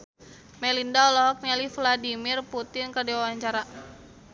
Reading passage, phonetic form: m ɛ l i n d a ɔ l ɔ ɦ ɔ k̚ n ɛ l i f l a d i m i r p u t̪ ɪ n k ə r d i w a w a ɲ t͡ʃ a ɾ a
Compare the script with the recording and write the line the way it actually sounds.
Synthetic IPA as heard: m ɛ l i n d a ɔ l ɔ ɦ ɔ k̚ n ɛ l i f l a d i m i r p u t̪ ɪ n k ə r d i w a w a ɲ t͡ʃ a ɾ a